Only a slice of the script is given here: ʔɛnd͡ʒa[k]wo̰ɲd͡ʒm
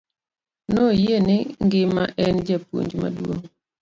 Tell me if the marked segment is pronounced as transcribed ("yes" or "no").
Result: no